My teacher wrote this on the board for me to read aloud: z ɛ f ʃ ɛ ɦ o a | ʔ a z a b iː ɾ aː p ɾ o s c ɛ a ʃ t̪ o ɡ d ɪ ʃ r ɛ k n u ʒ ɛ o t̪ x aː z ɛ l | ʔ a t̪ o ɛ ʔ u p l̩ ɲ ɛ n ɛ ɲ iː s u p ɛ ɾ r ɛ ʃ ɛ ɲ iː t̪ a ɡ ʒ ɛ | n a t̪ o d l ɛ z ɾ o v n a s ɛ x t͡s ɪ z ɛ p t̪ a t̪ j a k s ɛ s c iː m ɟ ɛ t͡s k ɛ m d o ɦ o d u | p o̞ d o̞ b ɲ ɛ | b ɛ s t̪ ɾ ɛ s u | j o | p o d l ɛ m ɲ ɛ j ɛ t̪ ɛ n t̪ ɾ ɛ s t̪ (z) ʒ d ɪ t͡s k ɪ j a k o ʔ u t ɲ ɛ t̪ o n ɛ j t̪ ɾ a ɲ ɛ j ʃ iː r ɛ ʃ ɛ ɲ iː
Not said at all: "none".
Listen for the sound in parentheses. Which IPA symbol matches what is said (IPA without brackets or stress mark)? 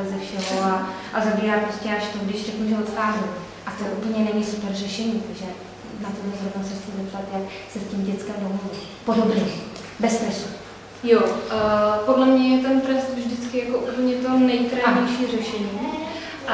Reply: v